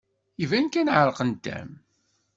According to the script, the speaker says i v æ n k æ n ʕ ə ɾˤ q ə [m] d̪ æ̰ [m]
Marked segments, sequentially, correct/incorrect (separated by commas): incorrect, correct